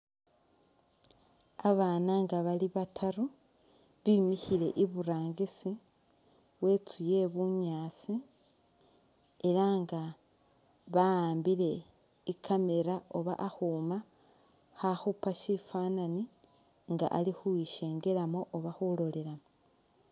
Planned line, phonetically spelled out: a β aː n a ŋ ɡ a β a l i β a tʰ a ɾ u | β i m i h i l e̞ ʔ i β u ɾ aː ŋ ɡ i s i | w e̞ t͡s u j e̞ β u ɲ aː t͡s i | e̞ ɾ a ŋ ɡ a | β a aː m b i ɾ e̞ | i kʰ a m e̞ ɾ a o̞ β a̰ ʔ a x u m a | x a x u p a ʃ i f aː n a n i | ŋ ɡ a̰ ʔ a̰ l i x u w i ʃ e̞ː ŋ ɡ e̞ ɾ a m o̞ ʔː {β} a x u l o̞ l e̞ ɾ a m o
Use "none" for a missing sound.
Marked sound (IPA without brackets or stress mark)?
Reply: β